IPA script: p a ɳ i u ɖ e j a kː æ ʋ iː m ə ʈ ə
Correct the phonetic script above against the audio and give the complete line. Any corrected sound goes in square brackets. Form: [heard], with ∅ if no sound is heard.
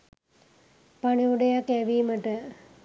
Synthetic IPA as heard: p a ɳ i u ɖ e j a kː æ ʋ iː m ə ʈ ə

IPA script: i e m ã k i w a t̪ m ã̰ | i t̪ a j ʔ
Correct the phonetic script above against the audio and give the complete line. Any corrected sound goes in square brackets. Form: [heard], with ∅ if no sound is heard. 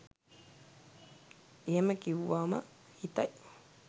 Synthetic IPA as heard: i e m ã k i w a [∅] m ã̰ | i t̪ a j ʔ

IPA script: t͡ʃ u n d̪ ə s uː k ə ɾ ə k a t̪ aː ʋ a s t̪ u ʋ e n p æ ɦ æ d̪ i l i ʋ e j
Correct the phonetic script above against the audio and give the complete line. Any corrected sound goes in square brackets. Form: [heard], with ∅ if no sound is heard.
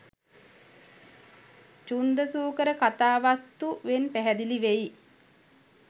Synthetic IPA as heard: t͡ʃ u n d̪ ə s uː k ə ɾ ə k a t̪ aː ʋ a s t̪ u ʋ e n p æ ɦ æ d̪ i l i ʋ e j

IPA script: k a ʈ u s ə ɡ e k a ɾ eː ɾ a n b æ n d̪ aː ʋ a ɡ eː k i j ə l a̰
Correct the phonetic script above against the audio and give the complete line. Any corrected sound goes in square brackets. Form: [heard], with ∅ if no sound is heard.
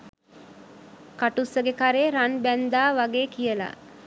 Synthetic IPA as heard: k a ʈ u s ə ɡ e k a ɾ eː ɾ a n b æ n d̪ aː ʋ a ɡ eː k i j ə l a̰

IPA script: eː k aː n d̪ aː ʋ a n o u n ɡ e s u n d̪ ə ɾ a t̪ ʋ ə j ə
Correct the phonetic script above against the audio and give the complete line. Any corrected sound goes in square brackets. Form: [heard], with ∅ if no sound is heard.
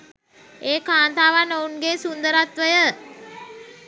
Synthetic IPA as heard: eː k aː n [t̪] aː ʋ a n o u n ɡ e s u n d̪ ə ɾ a t̪ ʋ ə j ə

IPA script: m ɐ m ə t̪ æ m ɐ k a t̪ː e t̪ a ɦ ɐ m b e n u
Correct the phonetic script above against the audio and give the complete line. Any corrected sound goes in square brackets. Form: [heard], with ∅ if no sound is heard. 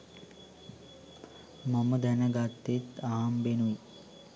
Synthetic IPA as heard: m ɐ m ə [d̪] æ [n] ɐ [ɡ] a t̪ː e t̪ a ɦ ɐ m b e n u

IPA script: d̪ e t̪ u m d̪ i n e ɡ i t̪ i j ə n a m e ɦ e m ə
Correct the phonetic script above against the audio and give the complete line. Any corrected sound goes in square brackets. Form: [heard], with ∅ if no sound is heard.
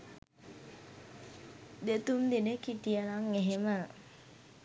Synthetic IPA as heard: d̪ e t̪ u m d̪ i n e [k] i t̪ i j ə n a [ŋ] e ɦ e m ə

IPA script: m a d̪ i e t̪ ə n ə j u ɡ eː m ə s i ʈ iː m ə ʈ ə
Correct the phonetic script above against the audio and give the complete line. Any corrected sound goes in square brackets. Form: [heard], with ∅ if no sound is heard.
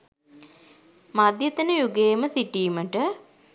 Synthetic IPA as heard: m a d̪ [j] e t̪ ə n ə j u ɡ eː m ə s i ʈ iː m ə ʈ ə

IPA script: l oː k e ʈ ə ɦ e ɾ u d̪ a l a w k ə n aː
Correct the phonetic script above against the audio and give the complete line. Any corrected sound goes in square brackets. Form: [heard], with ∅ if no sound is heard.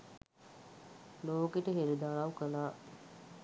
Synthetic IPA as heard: l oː k e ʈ ə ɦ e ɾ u d̪ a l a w k ə n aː

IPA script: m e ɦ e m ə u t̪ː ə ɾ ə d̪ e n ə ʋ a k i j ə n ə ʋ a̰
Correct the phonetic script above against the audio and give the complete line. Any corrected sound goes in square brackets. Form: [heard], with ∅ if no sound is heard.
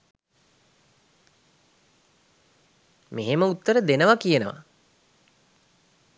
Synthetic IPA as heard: m e ɦ e m ə u t̪ː ə ɾ ə d̪ e n ə ʋ a k i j ə n ə ʋ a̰

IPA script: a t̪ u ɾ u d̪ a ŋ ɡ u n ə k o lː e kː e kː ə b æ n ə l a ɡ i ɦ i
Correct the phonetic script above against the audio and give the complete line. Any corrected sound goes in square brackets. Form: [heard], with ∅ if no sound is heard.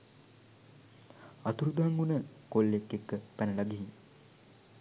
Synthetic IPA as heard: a t̪ u ɾ u d̪ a ŋ ɡ u n ə k o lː e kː e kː ə [p] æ n ə l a ɡ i ɦ i

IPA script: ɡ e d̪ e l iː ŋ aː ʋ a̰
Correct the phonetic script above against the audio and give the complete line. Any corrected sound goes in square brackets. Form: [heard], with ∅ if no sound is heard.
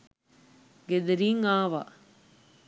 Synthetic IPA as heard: ɡ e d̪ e [ɾ] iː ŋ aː ʋ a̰

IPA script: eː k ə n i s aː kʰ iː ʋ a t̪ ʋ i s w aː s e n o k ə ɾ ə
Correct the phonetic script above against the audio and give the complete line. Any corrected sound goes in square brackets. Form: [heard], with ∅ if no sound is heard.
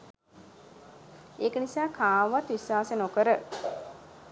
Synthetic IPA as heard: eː k ə n i s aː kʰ [aː] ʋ a t̪ ʋ i s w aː s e n o k ə ɾ ə

